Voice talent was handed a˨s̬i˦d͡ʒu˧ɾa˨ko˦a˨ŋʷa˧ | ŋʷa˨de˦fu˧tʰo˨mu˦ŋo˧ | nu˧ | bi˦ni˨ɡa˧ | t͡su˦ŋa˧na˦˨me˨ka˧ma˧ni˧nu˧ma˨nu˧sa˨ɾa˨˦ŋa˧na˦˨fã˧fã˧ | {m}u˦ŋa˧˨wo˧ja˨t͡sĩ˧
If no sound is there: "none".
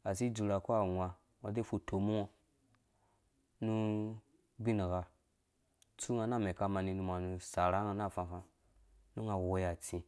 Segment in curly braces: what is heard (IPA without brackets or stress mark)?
n